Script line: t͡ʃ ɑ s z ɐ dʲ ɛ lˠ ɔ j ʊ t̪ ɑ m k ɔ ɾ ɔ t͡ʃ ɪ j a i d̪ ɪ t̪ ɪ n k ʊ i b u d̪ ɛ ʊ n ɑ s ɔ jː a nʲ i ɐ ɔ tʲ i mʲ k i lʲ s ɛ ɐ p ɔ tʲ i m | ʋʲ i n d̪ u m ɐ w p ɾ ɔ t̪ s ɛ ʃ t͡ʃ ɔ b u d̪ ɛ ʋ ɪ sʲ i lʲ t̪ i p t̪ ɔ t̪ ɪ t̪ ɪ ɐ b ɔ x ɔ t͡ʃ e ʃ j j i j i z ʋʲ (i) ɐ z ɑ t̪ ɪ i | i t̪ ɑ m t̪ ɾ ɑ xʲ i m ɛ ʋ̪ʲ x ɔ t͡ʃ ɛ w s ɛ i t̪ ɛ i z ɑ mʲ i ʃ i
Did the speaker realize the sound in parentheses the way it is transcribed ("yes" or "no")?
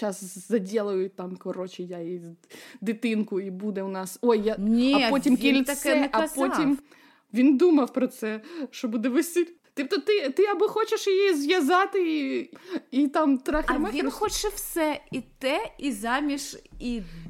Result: no